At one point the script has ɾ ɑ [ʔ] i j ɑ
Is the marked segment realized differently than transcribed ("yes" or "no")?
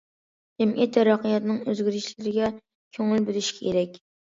yes